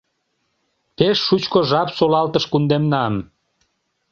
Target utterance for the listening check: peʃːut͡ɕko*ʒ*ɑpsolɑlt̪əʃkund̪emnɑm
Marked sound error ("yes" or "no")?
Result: no